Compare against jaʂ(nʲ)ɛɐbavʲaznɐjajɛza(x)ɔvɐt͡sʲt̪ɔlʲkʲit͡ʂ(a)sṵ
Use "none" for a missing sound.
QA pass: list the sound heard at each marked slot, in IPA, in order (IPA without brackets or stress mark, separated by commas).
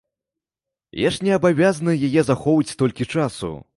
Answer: nʲ, x, a